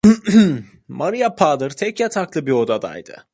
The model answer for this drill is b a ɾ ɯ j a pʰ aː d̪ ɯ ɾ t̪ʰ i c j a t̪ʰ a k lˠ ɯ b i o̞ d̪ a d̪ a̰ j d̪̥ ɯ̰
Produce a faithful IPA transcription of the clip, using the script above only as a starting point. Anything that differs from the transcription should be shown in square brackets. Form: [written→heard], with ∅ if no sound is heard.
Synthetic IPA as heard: [b→m] a ɾ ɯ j a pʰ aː d̪ ɯ ɾ t̪ʰ [i→ɛ] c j a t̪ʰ a k lˠ ɯ b i o̞ d̪ a d̪ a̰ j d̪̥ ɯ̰

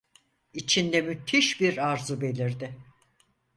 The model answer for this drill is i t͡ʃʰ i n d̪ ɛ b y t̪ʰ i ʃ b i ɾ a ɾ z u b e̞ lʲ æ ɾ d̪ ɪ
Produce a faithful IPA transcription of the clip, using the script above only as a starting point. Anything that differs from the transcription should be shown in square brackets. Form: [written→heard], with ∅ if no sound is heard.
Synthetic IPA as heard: i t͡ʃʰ i n d̪ ɛ [b→m] y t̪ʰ i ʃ b i ɾ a ɾ z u b e̞ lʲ [æ→i] ɾ d̪ ɪ

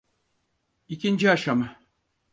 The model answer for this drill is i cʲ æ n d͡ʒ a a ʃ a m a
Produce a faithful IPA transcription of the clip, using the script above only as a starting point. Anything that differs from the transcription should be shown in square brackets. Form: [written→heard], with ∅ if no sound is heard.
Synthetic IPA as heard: i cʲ [æ→i] n d͡ʒ [a→i] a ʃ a m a

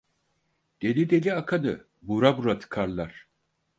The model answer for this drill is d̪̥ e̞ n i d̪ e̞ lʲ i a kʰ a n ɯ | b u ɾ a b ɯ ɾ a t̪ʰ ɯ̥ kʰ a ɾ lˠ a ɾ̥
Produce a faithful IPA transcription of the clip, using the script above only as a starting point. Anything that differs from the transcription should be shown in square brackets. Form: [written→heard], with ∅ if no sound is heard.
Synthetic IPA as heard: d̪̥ e̞ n i d̪ e̞ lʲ i a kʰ a n ɯ | b u ɾ a b [ɯ→u] ɾ a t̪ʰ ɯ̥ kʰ a ɾ lˠ a ɾ̥

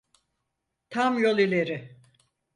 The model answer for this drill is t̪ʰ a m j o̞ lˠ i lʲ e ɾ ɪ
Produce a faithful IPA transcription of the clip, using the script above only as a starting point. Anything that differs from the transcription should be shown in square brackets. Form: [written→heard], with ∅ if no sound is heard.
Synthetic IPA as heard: t̪ʰ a m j o̞ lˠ i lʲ e ɾ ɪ

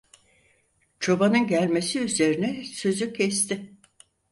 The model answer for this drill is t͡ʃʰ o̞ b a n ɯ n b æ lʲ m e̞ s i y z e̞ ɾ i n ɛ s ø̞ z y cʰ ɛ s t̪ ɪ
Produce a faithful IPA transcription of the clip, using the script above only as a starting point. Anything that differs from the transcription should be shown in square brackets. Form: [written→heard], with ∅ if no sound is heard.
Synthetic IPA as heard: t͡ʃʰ o̞ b a n ɯ n [b→ɟ] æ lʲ m e̞ s i y z e̞ ɾ i n ɛ s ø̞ z y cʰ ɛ s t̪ ɪ

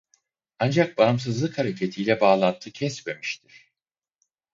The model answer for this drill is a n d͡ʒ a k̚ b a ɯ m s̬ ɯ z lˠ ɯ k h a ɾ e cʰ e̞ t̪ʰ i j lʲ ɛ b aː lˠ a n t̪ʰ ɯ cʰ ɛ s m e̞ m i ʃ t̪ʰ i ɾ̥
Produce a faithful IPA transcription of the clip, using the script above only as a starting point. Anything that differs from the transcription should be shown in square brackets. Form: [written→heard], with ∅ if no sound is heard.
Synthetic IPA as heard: a n d͡ʒ a k̚ b a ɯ m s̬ ɯ z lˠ ɯ k h a ɾ e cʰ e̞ t̪ʰ i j lʲ ɛ b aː lˠ a n t̪ʰ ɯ cʰ ɛ s m e̞ m i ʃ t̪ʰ i ɾ̥

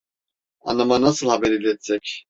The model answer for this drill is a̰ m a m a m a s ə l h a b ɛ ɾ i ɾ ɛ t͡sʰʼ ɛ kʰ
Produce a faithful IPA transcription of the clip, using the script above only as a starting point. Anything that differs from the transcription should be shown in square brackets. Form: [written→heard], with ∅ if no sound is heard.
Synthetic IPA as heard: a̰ [m→n] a m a [m→n] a s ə l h a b ɛ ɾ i [ɾ→l] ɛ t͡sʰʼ ɛ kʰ

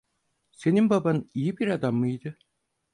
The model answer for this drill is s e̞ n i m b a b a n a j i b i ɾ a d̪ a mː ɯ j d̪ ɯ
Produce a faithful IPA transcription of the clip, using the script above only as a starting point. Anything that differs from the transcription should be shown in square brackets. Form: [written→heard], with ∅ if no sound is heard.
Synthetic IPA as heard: s e̞ n i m b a b a n [a→i] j i b i ɾ a d̪ a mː ɯ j d̪ ɯ

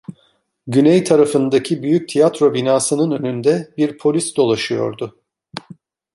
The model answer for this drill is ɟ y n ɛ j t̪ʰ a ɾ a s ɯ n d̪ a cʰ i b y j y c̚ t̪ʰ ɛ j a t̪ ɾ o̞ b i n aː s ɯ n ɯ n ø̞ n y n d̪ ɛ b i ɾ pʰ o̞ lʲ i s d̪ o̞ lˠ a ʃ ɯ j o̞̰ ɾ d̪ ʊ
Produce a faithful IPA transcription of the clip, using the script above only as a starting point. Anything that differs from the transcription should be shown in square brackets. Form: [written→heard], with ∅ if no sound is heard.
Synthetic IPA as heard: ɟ y n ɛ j t̪ʰ a ɾ a [s→f] ɯ n d̪ a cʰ i b y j y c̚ t̪ʰ [ɛ→i] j a t̪ ɾ o̞ b i n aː s ɯ n ɯ n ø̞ n y n d̪ ɛ b i ɾ pʰ o̞ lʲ i s d̪ o̞ lˠ a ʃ ɯ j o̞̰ ɾ d̪ ʊ

